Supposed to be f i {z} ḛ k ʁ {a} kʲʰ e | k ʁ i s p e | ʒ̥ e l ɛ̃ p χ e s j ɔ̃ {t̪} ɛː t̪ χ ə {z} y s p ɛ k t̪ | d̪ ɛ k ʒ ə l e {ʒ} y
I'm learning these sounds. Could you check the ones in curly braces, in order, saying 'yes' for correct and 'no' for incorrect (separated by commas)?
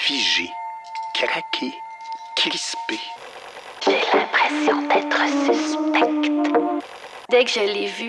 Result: no, yes, no, no, no